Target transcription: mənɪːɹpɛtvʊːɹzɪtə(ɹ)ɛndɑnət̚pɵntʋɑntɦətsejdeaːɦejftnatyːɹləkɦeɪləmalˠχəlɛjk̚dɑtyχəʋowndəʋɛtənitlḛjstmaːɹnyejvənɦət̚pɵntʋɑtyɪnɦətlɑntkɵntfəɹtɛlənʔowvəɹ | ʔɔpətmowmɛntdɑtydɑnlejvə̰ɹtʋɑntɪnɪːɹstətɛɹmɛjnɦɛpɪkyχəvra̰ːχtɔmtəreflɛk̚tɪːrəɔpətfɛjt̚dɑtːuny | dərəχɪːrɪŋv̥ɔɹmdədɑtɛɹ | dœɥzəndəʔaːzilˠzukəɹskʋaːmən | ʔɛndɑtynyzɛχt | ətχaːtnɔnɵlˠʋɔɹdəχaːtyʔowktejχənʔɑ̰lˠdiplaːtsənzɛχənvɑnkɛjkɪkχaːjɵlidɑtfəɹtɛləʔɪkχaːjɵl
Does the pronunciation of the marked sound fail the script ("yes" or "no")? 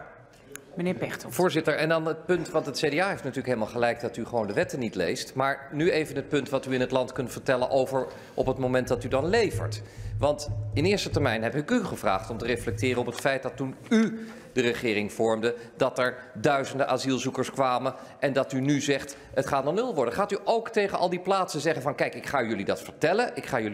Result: no